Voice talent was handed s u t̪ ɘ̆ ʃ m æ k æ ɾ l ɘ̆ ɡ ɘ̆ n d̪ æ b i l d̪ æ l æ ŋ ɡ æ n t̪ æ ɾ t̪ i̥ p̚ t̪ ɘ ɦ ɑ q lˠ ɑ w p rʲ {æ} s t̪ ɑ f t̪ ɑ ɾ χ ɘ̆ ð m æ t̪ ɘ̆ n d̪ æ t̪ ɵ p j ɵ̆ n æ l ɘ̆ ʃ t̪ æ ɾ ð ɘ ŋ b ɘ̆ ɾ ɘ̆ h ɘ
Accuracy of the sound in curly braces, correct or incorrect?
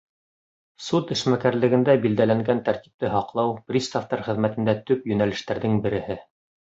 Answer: incorrect